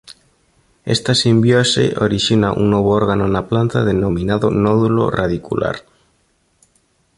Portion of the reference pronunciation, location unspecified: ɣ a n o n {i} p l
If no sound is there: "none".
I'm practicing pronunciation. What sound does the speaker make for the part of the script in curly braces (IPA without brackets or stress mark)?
a